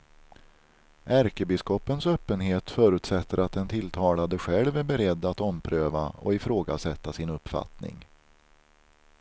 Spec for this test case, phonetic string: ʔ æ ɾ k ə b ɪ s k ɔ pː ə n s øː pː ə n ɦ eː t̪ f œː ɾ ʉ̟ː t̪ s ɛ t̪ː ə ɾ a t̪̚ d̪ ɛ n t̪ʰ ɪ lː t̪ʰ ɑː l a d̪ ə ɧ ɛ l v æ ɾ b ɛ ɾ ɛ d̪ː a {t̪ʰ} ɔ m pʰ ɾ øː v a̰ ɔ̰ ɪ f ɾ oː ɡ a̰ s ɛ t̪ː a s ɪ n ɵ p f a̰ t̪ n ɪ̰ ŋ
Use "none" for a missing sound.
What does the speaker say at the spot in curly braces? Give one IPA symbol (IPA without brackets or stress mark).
t̪